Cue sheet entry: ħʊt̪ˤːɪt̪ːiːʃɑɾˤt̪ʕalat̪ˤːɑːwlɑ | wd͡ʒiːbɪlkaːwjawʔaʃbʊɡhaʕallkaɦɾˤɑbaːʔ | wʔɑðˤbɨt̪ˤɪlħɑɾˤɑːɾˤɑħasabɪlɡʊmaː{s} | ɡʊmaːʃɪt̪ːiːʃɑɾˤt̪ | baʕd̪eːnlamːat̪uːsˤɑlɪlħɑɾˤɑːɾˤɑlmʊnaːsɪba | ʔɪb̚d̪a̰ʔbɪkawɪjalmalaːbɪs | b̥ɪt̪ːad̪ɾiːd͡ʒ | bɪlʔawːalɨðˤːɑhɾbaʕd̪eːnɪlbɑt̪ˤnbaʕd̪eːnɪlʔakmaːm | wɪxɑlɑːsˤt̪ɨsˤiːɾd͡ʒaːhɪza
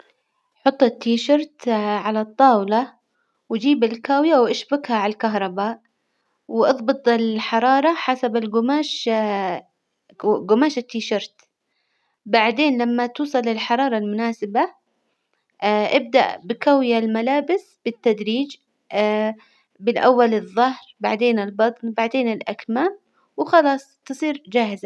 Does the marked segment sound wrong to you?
yes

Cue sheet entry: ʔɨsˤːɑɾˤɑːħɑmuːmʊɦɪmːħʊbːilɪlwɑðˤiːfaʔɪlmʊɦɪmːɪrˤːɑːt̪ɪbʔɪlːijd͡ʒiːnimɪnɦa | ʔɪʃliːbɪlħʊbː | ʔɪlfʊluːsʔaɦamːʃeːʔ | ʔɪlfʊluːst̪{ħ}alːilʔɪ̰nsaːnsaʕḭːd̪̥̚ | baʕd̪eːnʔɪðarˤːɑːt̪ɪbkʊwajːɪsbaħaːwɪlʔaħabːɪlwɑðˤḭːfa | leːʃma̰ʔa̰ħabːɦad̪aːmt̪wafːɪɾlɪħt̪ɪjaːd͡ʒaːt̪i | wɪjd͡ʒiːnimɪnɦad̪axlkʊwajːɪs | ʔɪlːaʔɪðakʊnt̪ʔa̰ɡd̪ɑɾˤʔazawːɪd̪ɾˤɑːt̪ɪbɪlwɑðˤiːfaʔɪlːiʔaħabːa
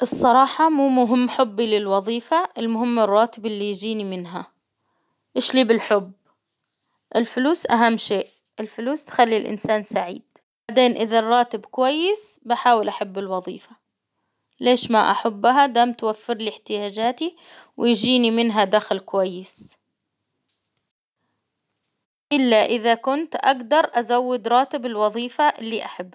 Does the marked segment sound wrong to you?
yes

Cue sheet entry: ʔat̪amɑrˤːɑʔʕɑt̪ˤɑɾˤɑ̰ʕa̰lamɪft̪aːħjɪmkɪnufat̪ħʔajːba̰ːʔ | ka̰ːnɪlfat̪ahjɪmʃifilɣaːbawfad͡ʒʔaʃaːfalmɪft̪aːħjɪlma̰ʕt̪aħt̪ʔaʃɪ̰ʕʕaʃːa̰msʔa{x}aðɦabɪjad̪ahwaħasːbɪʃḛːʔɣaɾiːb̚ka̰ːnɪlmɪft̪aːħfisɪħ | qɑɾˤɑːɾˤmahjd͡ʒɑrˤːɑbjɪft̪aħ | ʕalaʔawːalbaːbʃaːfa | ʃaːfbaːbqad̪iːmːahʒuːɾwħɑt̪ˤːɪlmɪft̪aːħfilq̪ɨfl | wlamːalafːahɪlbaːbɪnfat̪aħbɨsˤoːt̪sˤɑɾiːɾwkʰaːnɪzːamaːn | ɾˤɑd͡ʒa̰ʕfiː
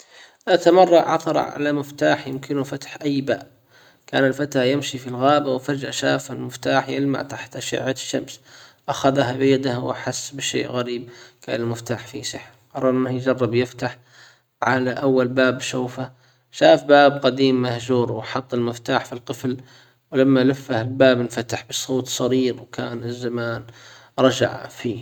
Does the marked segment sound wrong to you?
no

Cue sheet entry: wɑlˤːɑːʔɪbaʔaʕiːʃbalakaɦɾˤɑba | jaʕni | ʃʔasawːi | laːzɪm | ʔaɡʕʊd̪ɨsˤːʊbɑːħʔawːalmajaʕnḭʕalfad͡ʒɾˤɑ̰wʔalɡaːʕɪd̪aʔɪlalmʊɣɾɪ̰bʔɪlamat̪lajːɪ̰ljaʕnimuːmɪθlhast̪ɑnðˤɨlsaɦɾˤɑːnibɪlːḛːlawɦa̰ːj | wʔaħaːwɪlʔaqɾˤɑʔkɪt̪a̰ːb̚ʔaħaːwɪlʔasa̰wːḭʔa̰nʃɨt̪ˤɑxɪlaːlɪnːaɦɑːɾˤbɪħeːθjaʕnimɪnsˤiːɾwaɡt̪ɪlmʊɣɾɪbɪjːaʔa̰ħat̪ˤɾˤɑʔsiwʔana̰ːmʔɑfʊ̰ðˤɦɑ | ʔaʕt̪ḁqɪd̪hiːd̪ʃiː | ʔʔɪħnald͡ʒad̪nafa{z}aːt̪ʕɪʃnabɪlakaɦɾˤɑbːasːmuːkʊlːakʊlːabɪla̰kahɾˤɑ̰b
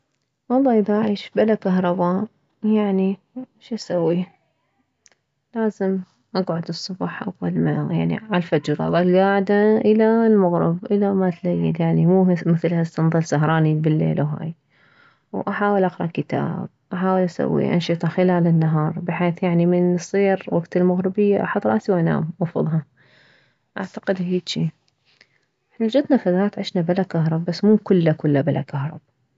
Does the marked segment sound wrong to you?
yes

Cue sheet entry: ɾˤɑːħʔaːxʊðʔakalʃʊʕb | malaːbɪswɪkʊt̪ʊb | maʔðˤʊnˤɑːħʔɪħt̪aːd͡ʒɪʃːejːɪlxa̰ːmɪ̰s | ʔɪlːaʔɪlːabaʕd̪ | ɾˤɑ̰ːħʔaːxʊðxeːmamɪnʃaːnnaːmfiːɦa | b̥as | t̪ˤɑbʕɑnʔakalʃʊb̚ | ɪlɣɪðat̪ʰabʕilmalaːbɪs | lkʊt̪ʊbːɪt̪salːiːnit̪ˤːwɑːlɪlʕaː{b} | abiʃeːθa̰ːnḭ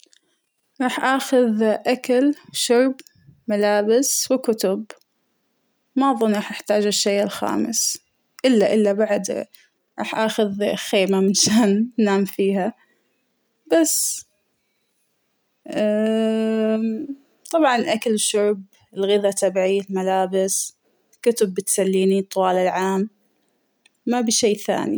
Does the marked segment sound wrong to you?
yes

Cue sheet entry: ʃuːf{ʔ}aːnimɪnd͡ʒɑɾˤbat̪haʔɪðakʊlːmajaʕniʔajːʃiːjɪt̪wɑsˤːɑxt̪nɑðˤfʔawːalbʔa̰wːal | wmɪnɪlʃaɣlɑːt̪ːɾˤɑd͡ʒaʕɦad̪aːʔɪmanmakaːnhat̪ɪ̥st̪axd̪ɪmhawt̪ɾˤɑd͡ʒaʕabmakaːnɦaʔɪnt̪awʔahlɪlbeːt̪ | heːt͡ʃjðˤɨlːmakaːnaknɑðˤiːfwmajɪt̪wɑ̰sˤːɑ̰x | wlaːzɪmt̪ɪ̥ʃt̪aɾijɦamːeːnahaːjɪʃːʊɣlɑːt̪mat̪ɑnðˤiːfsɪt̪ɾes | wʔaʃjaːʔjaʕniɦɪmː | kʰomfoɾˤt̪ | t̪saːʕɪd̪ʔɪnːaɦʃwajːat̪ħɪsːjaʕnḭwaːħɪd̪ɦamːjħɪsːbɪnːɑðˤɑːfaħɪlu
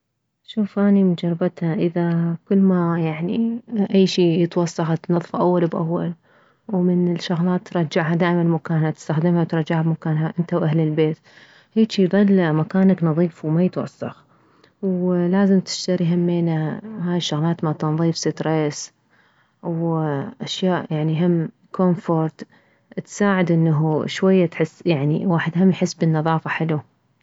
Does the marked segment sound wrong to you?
no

